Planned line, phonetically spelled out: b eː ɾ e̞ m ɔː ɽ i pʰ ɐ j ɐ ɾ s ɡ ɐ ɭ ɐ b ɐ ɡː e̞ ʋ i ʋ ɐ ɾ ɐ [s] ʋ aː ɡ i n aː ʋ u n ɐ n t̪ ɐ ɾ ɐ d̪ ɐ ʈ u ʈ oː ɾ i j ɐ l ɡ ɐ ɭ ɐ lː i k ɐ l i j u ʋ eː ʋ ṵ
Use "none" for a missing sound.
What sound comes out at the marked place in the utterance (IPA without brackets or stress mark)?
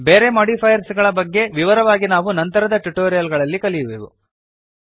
none